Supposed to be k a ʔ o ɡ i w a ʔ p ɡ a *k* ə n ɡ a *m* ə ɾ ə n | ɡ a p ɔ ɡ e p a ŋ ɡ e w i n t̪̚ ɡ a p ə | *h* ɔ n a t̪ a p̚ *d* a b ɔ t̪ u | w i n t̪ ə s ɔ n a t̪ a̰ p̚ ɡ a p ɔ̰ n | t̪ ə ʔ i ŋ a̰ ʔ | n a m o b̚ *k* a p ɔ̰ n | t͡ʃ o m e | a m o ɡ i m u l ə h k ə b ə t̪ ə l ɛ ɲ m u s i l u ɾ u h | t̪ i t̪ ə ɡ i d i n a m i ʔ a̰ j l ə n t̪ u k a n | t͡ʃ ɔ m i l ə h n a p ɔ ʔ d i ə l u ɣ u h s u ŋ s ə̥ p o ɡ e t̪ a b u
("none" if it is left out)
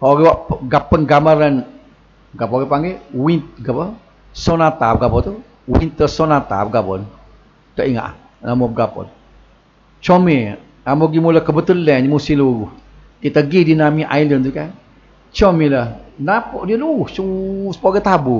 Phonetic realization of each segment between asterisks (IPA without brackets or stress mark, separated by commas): p, m, s, ɡ, ɡ